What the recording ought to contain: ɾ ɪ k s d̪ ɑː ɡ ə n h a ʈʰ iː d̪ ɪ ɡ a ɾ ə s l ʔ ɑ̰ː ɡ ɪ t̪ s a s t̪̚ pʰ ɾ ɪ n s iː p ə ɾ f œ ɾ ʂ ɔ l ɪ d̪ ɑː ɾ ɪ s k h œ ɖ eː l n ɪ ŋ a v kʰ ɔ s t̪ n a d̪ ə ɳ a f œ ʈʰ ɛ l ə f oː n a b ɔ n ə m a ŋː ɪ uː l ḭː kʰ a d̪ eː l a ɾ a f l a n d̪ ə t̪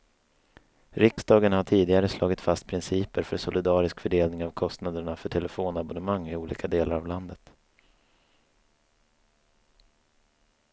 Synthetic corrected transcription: ɾ ɪ k s d̪ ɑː ɡ ə n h a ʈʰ iː d̪ ɪ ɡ a ɾ ə s l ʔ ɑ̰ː ɡ ɪ t̪ f a s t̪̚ pʰ ɾ ɪ n s iː p ə ɾ f œ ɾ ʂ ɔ l ɪ d̪ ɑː ɾ ɪ s k f œ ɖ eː l n ɪ ŋ a v kʰ ɔ s t̪ n a d̪ ə ɳ a f œ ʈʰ ɛ l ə f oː n a b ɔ n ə m a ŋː ɪ uː l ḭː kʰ a d̪ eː l a ɾ a v l a n d̪ ə t̪